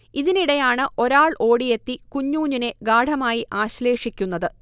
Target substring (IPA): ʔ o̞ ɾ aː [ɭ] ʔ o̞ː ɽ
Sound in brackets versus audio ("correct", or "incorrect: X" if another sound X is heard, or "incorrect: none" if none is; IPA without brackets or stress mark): correct